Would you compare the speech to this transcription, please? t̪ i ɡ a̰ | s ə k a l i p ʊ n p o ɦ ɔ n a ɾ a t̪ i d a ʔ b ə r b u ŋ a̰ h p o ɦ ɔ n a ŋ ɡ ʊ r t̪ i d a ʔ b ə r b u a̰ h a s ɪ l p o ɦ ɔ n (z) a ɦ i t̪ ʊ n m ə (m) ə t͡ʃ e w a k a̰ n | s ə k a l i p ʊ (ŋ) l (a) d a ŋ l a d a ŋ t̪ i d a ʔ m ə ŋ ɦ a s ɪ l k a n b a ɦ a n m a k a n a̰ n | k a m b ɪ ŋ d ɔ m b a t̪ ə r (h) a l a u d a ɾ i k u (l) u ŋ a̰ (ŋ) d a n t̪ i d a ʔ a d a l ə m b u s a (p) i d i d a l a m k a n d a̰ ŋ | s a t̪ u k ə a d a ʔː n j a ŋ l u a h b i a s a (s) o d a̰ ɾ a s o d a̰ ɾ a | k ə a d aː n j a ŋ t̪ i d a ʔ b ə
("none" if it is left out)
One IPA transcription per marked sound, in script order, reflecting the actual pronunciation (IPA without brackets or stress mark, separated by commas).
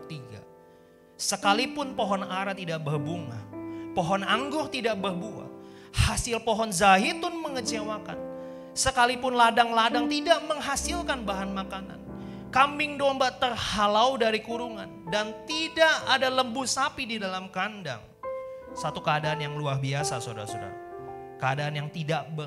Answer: z, ŋ, n, a, h, ɾ, n, p, s